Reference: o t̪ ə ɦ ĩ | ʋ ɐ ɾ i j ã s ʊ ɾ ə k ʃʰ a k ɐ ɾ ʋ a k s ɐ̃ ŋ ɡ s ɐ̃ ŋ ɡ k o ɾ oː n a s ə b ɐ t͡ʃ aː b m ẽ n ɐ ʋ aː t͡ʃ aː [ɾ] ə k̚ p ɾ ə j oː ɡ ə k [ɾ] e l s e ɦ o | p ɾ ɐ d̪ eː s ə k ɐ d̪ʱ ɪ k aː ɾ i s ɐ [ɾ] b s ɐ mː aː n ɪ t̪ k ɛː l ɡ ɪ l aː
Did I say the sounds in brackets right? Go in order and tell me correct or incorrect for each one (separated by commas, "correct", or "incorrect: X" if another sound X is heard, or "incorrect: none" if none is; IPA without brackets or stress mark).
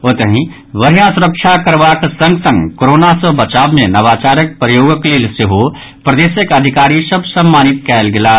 correct, incorrect: l, incorrect: none